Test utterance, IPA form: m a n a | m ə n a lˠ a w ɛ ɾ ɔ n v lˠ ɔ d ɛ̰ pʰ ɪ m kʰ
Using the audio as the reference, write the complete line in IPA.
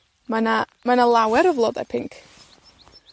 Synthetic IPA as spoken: m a n a | m a n a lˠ a w ɛ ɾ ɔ v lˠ ɔ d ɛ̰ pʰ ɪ ŋ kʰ

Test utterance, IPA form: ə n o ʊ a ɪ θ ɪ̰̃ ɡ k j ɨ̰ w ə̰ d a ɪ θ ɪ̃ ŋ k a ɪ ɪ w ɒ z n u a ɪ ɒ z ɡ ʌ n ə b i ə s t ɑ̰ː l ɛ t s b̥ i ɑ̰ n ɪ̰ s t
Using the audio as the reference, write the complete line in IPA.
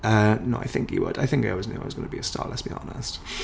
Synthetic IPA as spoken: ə n o ʊ a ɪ θ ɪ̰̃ ŋ k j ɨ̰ w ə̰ d a ɪ θ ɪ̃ ŋ k a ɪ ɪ w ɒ z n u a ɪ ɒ z ɡ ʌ n ə b i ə s t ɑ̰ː l ɛ t s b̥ i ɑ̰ n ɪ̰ s t

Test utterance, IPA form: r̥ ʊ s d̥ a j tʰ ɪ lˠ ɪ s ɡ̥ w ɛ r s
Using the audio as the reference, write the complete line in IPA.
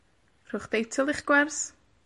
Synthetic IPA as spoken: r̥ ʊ χ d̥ e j tʰ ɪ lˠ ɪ χ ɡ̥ w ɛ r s

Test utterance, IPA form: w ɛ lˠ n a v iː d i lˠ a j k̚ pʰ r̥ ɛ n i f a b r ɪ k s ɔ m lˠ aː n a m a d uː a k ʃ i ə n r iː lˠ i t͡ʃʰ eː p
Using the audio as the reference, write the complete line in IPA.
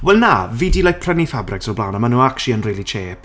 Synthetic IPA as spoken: w ɛ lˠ n a v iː d i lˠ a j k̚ pʰ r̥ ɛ n i f a b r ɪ k s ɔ b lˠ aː n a m a n uː a k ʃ i ə n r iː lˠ i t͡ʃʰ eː p

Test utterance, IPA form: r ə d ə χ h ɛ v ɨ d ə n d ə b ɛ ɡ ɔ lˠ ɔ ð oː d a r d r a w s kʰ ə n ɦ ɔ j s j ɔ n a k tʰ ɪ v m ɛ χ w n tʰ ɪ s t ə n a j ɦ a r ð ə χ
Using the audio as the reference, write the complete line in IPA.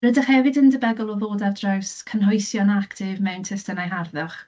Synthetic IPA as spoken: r ə d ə χ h ɛ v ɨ d ə n d ə b ɛ ɡ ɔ lˠ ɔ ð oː d a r d r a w s kʰ ə n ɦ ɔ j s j ɔ n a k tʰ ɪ v m ɛ w n tʰ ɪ s t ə n a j ɦ a r ð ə χ

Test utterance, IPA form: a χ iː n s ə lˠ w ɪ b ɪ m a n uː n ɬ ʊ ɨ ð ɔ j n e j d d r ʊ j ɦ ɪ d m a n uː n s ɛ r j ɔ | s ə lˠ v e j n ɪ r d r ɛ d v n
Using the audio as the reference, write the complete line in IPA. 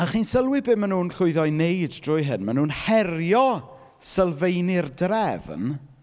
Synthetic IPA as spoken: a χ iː n s ə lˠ w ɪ b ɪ m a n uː n ɬ ʊ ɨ ð ɔ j n e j d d r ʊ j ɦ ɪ n m a n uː n h ɛ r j ɔ | s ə lˠ v e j n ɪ r d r ɛ v n

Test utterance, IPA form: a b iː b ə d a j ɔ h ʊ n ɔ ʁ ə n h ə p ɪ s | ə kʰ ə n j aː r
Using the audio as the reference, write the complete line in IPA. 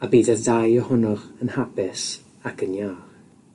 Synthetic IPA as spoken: a b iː d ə d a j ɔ h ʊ n ɔ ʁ ə n h a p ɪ s | a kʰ ə n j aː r

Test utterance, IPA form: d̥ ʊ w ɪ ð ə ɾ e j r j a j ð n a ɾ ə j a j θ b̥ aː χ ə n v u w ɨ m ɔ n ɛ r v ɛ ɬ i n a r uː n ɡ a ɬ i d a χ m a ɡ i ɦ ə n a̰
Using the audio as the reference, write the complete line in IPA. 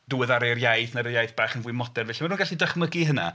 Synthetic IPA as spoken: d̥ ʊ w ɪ ð a ɾ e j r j a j θ n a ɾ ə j a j θ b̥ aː χ ə n v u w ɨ m ɔ d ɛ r v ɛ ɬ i m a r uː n ɡ a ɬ i d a χ m ə ɡ i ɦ ə n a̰

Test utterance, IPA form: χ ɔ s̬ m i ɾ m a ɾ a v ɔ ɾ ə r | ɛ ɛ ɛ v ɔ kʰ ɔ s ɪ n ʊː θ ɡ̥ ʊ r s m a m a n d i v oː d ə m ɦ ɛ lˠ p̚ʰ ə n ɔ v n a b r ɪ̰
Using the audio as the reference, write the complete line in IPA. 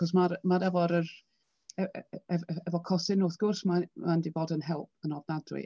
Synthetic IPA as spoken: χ ɔ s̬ m a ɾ m a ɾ ɛ v ɔ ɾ ə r | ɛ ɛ ɛ v ɔ kʰ ɔ s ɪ n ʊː θ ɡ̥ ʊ r s m a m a n d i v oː d ə n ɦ ɛ lˠ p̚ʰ ə n ɔ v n a d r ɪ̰

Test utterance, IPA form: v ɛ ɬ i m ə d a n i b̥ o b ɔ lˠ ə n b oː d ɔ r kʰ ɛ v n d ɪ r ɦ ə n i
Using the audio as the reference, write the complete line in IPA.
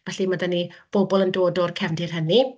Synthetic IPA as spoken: v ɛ ɬ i m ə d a n i b̥ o b ɔ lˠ ə n d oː d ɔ r kʰ ɛ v n d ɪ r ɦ ə n i

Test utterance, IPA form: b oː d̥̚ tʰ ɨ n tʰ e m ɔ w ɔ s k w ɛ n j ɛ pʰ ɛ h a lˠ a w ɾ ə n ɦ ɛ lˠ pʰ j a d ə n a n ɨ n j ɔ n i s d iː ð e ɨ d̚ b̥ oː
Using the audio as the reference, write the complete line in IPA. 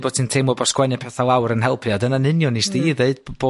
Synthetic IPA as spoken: b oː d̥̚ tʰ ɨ n tʰ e m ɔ b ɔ s k w ɛ n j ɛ pʰ ɛ θ a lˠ a w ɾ ə n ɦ ɛ lˠ pʰ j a d ə n a n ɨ n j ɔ n i s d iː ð e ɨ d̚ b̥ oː

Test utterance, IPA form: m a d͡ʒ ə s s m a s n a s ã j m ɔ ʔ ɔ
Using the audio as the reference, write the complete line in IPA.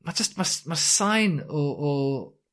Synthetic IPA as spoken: m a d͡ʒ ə s t m a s m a s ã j n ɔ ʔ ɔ

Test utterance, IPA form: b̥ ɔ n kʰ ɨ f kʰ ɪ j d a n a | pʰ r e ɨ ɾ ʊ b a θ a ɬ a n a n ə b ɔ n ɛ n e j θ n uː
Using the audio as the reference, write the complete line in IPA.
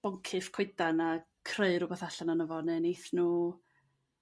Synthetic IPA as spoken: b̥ ɔ ŋ kʰ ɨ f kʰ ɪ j d a n a | kʰ r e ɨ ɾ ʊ b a θ a ɬ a n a n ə v ɔ n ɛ n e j θ n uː

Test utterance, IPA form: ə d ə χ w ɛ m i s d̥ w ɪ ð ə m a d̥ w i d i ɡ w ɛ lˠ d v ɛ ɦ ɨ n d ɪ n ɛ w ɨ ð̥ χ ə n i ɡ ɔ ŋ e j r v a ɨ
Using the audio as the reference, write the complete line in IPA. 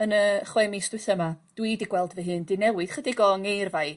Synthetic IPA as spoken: ə n ə χ w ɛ m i s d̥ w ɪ θ ə m a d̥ w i d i ɡ w ɛ lˠ d v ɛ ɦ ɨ n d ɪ n ɛ w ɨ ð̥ χ ə d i ɡ ɔ ŋ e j r v a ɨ

